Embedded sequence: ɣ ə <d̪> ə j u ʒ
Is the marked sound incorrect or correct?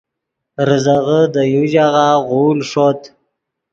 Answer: correct